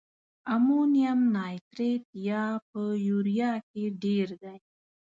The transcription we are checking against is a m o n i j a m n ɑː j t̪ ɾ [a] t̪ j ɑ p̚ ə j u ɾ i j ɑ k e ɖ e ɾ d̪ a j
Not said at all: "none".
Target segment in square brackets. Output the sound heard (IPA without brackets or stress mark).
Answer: e